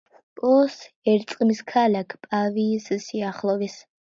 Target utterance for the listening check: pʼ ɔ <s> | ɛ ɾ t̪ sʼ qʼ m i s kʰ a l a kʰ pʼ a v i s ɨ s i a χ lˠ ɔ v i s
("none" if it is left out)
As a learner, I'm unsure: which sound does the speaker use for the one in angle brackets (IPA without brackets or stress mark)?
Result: s